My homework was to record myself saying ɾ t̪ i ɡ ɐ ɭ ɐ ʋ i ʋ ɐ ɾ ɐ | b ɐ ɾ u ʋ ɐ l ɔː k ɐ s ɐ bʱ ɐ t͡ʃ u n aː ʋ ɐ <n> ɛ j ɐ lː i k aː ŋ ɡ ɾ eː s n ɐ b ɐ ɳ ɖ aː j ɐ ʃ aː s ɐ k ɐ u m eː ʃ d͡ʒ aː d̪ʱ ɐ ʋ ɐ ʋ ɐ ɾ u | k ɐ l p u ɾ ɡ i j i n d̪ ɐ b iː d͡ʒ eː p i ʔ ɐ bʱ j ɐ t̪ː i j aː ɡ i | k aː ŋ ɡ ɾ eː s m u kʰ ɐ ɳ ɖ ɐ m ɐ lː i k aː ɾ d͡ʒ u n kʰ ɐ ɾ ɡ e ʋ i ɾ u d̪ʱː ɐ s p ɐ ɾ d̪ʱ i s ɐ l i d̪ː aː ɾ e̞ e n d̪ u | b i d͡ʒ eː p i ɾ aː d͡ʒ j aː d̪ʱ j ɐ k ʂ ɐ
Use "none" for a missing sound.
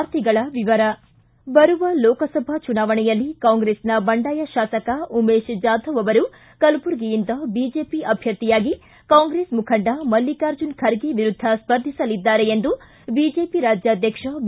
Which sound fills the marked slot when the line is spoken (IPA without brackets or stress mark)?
ɳ